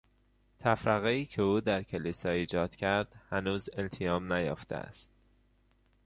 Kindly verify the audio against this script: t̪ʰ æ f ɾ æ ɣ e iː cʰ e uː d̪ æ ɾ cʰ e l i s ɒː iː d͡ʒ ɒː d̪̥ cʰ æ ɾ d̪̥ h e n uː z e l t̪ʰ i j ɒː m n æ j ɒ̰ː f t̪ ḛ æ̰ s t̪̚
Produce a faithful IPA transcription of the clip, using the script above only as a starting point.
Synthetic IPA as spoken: t̪ʰ æ f ɾ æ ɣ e iː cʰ e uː d̪ æ ɾ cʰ e l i s ɒː iː d͡ʒ ɒː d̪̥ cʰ æ ɾ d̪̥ h æ n uː z e l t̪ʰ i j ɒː m n æ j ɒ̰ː f t̪ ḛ æ̰ s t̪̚

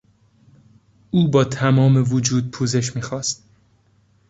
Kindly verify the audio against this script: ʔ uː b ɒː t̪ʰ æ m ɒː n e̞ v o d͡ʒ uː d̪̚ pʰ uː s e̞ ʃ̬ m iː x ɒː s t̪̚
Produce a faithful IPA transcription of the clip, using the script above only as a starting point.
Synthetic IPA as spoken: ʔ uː b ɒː t̪ʰ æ m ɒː m e̞ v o d͡ʒ uː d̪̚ pʰ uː z e̞ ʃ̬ m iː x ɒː s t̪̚

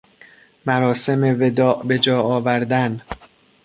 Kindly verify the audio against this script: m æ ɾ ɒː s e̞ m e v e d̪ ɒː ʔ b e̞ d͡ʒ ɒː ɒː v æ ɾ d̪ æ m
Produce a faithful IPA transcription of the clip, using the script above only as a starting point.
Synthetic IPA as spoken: m æ ɾ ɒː s e̞ m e v e d̪ ɒː ʔ b e̞ d͡ʒ ɒː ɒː v æ ɾ d̪ æ n

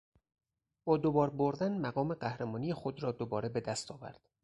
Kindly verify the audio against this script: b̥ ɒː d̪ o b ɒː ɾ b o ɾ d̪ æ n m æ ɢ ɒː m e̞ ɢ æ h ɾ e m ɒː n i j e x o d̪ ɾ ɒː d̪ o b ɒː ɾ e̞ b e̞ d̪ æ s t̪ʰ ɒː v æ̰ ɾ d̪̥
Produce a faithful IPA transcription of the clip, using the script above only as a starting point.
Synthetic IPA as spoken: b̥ ɒː d̪ o b ɒː ɾ b o ɾ d̪ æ n m æ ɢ ɒː m e̞ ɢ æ h ɾ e m ɒː n i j e x o d̪ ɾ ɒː d̪ o b ɒː ɾ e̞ b e̞ d̪ æ s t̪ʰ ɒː v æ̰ ɾ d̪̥

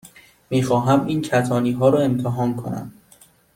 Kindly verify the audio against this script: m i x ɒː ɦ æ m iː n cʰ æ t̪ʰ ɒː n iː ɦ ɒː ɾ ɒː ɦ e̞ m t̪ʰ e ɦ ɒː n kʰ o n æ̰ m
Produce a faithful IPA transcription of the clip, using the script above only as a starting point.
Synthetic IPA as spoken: m iː x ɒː ɦ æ m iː n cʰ æ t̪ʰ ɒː n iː ɦ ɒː ɾ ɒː e̞ m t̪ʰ e ɦ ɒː n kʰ o n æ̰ m

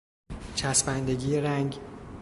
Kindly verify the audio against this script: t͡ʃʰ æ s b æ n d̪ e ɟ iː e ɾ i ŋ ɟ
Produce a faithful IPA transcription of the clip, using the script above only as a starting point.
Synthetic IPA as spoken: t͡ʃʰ æ s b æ n d̪ e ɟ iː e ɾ æ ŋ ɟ

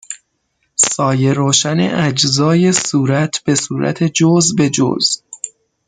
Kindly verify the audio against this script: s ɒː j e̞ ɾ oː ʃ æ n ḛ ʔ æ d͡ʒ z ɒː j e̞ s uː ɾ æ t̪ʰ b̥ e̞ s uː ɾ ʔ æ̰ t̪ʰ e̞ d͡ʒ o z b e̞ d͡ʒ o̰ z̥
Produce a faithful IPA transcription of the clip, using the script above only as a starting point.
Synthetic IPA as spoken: s ɒː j e̞ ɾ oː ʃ æ n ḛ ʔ æ d͡ʒ z ɒː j e̞ s uː ɾ æ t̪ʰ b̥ e̞ s uː ɾ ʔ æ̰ t̪ʰ e̞ d͡ʒ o z b e̞ d͡ʒ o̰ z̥

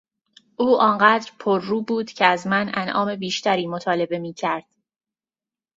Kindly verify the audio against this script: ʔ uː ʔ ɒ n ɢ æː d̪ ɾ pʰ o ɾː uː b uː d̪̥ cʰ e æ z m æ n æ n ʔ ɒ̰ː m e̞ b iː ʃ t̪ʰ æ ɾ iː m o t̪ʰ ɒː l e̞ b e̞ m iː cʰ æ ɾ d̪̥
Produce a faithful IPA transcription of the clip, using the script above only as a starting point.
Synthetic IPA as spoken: ʔ uː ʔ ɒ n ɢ æː d̪ ɾ pʰ o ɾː uː b uː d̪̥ cʰ e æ z m æ n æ n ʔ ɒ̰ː m e̞ b iː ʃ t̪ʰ æ ɾ iː m o t̪ʰ ɒː l e̞ b e̞ m iː cʰ æ ɾ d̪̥

